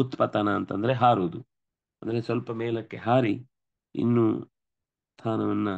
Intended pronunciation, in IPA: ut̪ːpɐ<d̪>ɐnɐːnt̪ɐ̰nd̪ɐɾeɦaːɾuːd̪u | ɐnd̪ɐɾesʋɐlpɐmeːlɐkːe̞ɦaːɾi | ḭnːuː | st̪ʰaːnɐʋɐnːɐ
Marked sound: incorrect: t̪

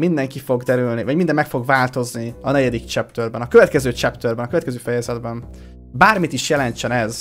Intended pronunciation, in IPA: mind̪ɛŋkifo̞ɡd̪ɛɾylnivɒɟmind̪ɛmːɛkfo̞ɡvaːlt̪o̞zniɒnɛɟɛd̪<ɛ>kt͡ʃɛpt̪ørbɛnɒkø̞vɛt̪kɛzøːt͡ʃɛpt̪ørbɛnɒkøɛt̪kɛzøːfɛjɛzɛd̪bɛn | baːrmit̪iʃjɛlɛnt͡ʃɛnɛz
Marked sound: incorrect: i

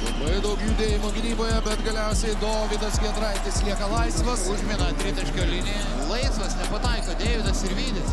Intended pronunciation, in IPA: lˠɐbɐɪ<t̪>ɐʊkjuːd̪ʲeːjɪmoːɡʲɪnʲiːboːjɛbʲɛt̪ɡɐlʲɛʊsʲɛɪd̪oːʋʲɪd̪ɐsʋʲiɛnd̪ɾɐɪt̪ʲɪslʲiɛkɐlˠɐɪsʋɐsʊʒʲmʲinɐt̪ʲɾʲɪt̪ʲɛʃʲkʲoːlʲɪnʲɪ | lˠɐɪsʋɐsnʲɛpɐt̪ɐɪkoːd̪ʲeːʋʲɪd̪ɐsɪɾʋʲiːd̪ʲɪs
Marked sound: incorrect: d̪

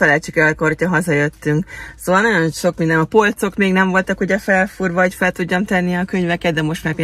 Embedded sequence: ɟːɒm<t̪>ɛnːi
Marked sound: correct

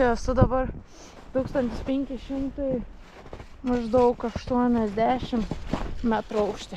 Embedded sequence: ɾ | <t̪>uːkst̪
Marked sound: correct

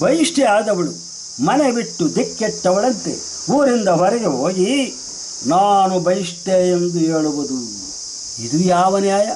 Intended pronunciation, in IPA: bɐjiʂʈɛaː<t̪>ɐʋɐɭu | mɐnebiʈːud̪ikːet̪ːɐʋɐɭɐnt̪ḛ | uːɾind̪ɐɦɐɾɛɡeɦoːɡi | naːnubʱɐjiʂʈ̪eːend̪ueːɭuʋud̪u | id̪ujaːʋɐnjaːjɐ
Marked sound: incorrect: d̪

